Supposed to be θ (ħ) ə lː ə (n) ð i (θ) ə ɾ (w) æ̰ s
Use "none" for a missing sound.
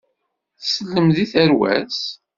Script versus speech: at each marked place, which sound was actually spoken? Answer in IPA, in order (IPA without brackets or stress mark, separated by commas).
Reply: s, m, θ, w